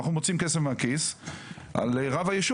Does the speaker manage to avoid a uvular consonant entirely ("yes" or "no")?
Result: no